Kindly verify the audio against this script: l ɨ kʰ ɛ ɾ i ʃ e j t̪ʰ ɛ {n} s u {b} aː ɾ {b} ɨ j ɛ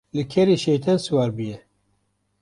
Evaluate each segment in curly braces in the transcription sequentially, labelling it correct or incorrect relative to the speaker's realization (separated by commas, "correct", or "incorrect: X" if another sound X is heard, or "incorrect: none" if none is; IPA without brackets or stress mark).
correct, incorrect: w, correct